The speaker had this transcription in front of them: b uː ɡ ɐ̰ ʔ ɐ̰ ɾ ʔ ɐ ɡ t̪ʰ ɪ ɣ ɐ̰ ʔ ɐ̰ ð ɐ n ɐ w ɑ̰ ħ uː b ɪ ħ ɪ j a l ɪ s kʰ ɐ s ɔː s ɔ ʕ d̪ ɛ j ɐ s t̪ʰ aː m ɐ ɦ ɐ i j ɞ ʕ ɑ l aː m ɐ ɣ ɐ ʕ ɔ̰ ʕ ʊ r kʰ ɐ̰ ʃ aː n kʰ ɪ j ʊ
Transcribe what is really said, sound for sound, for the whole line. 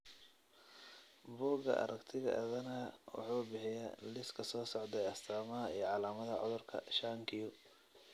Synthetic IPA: b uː ɡ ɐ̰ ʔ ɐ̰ ɾ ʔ ɐ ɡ t̪ʰ ɪ ɣ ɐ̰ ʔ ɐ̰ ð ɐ n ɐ w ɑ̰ ħ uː b ɪ ħ ɪ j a l ɪ s kʰ ɐ s ɔː s ɔ ʕ d̪ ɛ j ɐ s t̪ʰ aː m ɐ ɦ ɐ i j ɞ ʕ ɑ l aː m ɐ ð ɐ ʕ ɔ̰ ð ʊ r kʰ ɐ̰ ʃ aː ŋ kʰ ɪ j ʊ